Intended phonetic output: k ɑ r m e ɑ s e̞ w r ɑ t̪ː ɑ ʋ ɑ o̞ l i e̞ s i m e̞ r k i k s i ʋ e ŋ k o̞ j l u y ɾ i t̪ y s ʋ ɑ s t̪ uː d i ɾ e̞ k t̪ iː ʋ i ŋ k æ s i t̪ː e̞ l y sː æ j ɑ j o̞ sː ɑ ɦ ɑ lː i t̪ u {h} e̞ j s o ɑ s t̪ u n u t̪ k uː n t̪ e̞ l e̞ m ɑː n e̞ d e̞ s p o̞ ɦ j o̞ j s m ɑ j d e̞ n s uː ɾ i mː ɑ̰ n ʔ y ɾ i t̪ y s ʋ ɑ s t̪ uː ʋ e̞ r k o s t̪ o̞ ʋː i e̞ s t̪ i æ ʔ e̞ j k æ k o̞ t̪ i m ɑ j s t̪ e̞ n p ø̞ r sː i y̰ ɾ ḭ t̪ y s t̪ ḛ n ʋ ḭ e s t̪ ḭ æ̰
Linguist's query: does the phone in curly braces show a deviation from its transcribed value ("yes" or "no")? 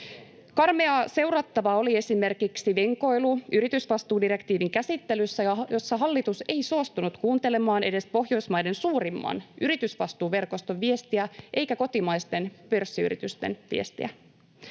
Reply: yes